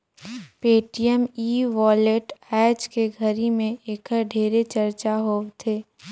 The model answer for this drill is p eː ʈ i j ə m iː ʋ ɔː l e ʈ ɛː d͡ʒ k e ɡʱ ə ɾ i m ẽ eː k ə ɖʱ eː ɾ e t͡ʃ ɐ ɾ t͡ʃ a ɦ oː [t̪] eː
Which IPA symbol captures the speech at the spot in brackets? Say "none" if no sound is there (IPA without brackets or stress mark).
t̪ʰ